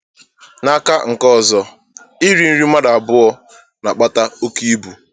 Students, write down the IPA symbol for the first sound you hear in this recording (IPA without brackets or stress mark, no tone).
n